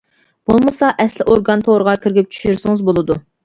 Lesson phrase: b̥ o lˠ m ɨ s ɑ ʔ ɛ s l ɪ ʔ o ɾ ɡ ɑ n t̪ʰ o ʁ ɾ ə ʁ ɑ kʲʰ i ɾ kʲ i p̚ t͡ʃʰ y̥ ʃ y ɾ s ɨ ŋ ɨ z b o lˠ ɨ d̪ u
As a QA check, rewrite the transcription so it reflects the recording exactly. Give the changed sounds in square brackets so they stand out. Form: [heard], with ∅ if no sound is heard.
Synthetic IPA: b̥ o lˠ m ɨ s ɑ ʔ ɛ s l ɪ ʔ o ɾ ɡ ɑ n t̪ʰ o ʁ ɾ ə ʁ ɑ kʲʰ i ɾ [ɡʲ] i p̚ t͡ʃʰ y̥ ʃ y ɾ s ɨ ŋ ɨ z b o lˠ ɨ d̪ u